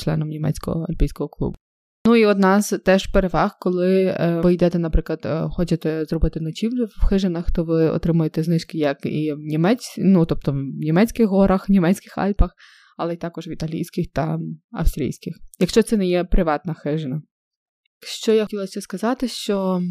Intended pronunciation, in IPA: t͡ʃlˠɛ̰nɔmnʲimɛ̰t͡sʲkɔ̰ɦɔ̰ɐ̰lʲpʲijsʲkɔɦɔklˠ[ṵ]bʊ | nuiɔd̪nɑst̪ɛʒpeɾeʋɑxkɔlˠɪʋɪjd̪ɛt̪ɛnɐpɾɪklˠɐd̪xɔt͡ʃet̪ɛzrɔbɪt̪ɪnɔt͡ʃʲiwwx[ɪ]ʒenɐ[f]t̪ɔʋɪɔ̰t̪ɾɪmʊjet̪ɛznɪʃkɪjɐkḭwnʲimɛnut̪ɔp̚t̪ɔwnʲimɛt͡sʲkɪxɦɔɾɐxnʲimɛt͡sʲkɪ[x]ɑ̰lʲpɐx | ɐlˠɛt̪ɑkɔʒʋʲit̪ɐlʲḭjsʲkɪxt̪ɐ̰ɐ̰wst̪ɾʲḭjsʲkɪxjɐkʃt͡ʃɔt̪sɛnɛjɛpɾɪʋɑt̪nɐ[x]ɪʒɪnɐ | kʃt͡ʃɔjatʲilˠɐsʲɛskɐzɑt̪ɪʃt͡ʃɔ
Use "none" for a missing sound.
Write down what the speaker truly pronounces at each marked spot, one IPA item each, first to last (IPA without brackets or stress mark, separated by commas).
ṵ, ɪ, x, x, x